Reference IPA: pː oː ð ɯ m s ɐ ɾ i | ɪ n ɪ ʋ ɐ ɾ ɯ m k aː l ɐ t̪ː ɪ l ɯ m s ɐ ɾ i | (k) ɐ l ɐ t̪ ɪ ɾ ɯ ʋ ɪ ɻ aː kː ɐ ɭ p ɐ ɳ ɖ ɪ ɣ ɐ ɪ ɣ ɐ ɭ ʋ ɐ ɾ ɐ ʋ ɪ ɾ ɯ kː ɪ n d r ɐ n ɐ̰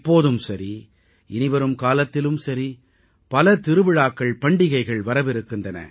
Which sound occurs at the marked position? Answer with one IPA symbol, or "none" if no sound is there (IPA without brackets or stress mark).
p